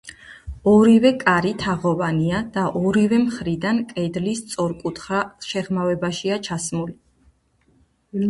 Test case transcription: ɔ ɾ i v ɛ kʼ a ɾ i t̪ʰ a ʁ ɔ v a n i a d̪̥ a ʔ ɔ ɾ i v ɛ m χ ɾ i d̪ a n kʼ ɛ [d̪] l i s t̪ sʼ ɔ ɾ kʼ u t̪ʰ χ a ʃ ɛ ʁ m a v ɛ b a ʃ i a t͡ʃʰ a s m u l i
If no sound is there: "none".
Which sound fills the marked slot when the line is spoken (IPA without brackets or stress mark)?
d̪